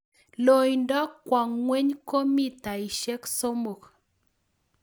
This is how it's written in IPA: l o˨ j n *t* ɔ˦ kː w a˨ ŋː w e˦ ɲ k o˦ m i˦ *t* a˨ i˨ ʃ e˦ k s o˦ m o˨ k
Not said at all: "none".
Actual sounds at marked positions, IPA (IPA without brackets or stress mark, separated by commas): d, t